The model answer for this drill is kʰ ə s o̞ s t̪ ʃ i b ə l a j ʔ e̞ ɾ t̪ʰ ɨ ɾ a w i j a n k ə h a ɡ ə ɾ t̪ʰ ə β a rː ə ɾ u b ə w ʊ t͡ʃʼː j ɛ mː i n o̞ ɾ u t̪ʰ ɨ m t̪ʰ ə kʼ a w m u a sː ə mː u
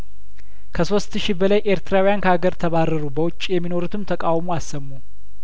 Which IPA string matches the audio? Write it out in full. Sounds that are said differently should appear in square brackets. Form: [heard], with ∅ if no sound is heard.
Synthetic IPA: kʰ ə s o̞ s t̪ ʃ i b ə l a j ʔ e̞ ɾ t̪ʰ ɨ ɾ a w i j a n k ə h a ɡ ə ɾ t̪ʰ ə β a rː ə ɾ u b ə w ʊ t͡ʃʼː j ɛ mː i n o̞ ɾ u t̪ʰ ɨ m t̪ʰ ə kʼ a w m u a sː ə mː u